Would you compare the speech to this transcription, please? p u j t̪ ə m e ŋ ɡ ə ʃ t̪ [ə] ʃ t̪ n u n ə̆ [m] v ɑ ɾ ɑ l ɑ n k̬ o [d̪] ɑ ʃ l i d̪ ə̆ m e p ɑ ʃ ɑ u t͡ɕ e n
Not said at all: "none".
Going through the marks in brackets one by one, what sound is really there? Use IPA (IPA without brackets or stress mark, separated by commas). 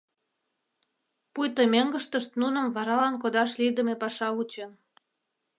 ə, m, d̪